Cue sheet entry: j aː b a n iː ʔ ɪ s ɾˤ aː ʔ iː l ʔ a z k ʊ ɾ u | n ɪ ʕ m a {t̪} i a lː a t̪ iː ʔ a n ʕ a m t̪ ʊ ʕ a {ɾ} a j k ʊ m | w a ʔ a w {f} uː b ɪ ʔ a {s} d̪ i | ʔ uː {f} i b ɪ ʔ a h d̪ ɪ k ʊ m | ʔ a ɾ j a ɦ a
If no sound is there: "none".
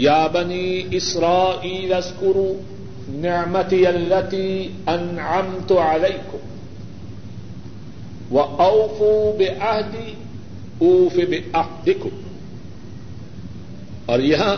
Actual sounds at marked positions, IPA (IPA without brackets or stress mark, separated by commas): t̪, l, f, h, f